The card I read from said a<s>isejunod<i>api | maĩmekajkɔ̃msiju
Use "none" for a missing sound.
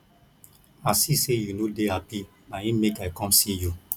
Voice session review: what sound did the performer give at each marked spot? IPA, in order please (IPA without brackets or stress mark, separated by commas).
s, e